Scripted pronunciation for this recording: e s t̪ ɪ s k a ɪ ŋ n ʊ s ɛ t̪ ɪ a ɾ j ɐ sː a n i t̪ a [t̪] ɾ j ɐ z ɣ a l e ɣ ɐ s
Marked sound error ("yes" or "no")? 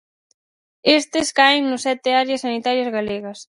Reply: yes